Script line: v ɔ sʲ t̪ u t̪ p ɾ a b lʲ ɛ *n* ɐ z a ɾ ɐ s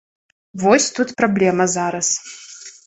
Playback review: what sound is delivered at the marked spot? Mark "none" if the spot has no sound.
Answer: m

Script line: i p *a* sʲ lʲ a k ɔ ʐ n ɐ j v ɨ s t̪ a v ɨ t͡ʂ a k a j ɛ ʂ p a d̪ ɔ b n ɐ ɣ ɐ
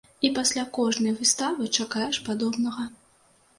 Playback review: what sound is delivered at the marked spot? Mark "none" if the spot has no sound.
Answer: a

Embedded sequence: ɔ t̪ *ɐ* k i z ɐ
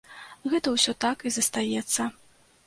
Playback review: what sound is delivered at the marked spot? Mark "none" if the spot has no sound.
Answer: a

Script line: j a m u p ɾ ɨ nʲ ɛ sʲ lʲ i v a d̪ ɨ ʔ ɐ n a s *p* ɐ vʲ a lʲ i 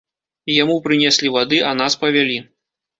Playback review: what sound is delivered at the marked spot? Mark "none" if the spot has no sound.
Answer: p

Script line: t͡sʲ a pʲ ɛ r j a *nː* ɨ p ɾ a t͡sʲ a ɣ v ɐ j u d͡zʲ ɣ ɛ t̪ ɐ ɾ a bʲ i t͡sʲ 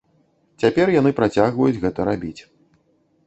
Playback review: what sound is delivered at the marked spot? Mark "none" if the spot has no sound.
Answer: n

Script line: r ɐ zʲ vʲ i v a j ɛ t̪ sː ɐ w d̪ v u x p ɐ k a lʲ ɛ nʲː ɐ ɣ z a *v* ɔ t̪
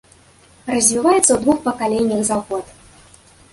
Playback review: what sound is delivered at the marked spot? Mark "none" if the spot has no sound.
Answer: ɣ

